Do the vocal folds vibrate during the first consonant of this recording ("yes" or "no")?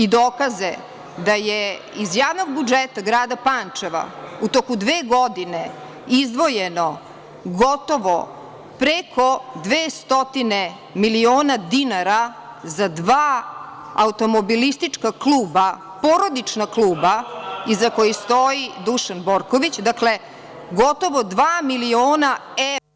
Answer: yes